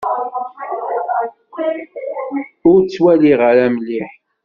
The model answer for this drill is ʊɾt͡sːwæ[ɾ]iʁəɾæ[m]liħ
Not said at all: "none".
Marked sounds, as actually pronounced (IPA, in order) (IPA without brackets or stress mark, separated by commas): l, m